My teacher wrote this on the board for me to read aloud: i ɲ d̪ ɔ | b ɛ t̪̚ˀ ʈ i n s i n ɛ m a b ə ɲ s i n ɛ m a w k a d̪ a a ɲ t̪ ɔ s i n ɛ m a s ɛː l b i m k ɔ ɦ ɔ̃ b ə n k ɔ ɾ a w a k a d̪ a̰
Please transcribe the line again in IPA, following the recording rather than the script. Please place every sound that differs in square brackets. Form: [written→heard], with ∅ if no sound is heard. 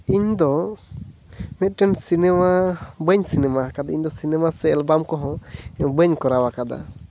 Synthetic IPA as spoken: i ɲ d̪ ɔ | [b→m] ɛ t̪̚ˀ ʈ [i→ɛ] n s i n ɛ m a b ə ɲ s i n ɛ m a [w→∅] k a d̪ a [a→i] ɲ [t̪→d̪] ɔ s i n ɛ m a s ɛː l b [i→a] m k ɔ ɦ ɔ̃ b ə [n→ɲ] k ɔ ɾ a w a k a d̪ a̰